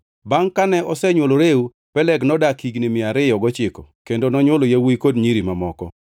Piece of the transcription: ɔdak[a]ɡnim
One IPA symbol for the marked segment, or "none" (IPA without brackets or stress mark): i